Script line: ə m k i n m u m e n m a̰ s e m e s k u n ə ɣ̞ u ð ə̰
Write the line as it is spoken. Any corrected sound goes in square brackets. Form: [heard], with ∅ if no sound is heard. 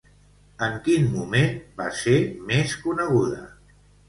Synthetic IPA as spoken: ə [ŋ] k i n m u m e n [b] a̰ s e m e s k u n ə ɣ̞ u ð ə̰